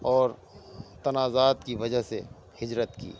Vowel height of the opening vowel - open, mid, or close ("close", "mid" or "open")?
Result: mid